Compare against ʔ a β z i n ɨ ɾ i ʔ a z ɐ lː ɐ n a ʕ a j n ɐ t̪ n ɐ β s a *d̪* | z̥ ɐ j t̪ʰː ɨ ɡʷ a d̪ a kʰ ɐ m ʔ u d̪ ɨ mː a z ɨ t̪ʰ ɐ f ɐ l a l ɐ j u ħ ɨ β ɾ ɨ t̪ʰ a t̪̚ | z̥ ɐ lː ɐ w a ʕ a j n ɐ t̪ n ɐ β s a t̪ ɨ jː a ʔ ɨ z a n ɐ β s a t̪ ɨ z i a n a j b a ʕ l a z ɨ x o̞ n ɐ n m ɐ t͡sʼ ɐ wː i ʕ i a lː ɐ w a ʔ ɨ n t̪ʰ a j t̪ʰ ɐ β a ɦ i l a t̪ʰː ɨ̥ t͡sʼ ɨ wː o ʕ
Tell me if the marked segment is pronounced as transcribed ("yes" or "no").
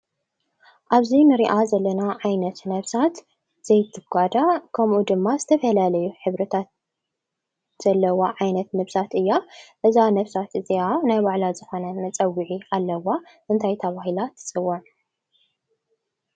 no